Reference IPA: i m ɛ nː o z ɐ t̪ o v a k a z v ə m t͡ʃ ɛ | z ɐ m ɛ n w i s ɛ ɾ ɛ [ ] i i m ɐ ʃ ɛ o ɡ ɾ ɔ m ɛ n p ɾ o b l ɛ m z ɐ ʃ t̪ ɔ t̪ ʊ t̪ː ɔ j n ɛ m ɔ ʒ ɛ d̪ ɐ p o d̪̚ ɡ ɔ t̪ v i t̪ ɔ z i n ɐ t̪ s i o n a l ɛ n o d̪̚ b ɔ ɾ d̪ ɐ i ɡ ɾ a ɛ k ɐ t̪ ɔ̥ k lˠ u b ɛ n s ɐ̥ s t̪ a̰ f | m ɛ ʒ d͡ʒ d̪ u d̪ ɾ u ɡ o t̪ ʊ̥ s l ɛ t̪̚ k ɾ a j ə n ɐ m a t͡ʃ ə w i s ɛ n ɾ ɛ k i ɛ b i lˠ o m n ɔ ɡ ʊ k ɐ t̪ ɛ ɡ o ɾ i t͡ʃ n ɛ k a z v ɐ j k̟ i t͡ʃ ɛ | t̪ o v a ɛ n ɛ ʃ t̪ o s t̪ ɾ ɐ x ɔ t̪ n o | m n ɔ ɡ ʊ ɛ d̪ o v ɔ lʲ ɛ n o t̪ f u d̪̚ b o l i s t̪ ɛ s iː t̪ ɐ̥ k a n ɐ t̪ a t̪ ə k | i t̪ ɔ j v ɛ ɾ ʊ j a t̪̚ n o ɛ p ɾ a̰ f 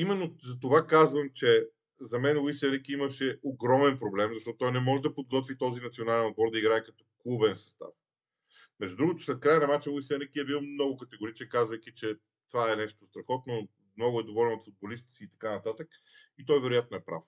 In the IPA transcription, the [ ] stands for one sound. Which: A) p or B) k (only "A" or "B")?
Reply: B